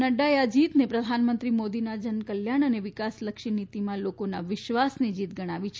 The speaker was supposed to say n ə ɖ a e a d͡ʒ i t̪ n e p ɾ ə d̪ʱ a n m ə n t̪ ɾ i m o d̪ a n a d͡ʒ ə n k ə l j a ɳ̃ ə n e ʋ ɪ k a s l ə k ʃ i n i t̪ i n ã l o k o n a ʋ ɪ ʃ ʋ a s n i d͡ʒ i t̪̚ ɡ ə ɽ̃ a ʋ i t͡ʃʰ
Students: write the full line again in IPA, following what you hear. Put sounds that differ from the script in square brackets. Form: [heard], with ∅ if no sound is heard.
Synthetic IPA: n ə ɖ a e a d͡ʒ i t̪ n e p ɾ ə d̪ʱ a n m ə n t̪ ɾ i m o d̪ [i] n a d͡ʒ ə n k ə l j a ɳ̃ ə n e ʋ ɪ k a s l ə k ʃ i n i t̪ i [m] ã l o k o n a ʋ ɪ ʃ ʋ a s n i d͡ʒ i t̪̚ ɡ ə ɽ̃ a ʋ i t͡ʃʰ

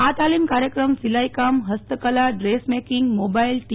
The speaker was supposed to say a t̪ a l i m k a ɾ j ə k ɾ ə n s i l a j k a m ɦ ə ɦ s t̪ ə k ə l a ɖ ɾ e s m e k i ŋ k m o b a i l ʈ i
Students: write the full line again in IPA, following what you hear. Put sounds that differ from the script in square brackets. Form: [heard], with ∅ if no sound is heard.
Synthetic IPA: a t̪ a l i m k a ɾ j ə k ɾ ə [m] s i l a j k a m ɦ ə [∅] s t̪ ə k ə l a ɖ ɾ e s m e k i ŋ [ɡ] m o b a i l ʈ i

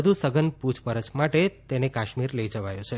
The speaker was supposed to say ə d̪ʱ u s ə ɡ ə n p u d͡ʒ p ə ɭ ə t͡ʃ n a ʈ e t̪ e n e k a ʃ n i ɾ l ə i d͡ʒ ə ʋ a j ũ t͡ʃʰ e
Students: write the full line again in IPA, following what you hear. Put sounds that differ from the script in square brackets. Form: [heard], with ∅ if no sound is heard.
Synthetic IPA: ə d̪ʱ u s ə ɡ ə n p u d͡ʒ p ə [ɾ] ə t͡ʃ [m] a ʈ e t̪ e n e k a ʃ [m] i ɾ l ə i d͡ʒ ə ʋ a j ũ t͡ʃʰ e

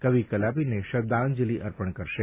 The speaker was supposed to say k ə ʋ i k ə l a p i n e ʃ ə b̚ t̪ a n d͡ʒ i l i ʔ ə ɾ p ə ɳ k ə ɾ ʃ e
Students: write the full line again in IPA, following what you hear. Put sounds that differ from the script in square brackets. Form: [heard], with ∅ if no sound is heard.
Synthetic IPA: k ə ʋ i k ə l a p i n e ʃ ə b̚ [d̪] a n d͡ʒ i l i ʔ ə ɾ p ə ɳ k ə ɾ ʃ e

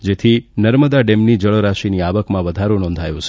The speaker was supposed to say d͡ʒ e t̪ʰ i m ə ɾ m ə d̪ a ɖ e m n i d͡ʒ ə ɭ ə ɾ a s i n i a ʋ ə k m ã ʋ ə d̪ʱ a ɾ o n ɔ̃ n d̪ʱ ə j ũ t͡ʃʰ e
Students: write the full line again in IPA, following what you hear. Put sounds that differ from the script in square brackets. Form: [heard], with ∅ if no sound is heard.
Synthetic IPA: d͡ʒ e t̪ʰ i [n] ə ɾ m ə d̪ a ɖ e m n i d͡ʒ ə ɭ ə ɾ a [ʃ] i n i a ʋ ə k m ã ʋ ə d̪ʱ a ɾ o n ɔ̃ n d̪ʱ [a] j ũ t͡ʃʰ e

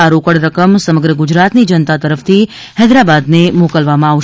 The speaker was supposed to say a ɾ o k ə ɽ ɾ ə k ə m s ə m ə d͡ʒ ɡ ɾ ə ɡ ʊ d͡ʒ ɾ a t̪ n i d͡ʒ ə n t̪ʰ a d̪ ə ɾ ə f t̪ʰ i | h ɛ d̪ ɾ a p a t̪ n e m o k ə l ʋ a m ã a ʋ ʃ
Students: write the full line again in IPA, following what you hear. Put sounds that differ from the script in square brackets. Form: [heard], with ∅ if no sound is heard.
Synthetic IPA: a ɾ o k ə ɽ ɾ ə k ə m s ə m ə [∅] ɡ ɾ ə ɡ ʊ d͡ʒ ɾ a t̪ n i d͡ʒ ə n [t̪] a [t̪] ə ɾ ə f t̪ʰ i | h ɛ d̪ ɾ a [b] a [d̪] n e m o k ə l ʋ a m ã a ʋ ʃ

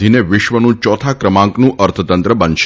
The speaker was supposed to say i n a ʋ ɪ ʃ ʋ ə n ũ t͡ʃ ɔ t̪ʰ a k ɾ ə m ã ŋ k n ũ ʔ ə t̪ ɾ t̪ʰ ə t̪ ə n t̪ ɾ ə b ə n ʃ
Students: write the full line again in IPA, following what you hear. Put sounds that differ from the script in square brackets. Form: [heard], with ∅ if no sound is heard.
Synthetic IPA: i n [e] ʋ ɪ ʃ ʋ ə n ũ t͡ʃ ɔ t̪ʰ a k ɾ ə m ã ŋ k n ũ ʔ ə [∅] ɾ t̪ʰ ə t̪ ə n t̪ ɾ ə b ə n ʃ

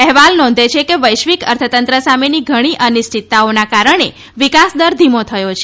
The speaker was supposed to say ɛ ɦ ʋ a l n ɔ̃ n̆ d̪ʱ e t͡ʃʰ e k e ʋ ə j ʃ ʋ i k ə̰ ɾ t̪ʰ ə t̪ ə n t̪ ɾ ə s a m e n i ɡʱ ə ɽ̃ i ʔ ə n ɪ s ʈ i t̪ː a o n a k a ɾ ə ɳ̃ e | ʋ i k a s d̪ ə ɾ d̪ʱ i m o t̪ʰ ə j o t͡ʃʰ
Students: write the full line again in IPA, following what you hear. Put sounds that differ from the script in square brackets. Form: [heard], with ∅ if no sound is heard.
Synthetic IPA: ɛ ɦ ʋ a l n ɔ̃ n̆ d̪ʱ e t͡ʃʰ e k e ʋ ə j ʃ ʋ i k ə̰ ɾ t̪ʰ ə t̪ ə n t̪ ɾ ə s a m e n i ɡʱ ə ɽ̃ i ʔ ə n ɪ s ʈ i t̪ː a o n a k a ɾ ə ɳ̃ e | ʋ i k a s d̪ ə ɾ d̪ʱ i m o t̪ʰ ə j o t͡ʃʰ

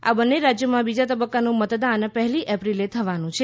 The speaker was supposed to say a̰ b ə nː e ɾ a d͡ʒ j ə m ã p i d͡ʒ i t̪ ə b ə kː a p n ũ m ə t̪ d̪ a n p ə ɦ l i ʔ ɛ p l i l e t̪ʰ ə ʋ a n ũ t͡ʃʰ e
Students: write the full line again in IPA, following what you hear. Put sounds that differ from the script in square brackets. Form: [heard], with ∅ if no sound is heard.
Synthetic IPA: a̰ b ə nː e ɾ a d͡ʒ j ə m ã [b] i d͡ʒ [a] t̪ ə b ə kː a [∅] n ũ m ə t̪ d̪ a n p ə ɦ l i ʔ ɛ p [ɾ] i l e t̪ʰ ə ʋ a n ũ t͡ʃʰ e

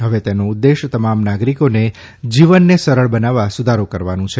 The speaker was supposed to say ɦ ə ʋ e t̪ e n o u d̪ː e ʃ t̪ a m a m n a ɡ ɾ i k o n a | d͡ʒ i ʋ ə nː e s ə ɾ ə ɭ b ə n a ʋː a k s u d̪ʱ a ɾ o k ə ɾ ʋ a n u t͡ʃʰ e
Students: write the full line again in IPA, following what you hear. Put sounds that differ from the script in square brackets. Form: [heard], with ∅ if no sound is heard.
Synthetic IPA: ɦ ə ʋ e t̪ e n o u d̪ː e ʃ t̪ [ə] m a m n a ɡ ɾ i k o n [e] | d͡ʒ i ʋ ə nː e s ə ɾ ə ɭ b ə n a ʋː a [∅] s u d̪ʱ a ɾ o k ə ɾ ʋ a n [ũ] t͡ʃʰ e

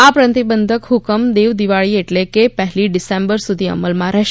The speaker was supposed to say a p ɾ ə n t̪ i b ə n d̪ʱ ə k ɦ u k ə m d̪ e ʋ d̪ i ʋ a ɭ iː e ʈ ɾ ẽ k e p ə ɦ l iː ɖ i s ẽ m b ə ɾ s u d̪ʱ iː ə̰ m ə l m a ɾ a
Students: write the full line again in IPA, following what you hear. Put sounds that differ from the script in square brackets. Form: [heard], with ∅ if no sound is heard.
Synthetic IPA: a p ɾ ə n t̪ i b ə n d̪ʱ ə k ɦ u k ə m d̪ e ʋ d̪ i ʋ a ɭ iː e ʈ [l] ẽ k e p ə ɦ l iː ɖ i s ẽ m b ə ɾ s u d̪ʱ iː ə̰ m ə l m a ɾ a

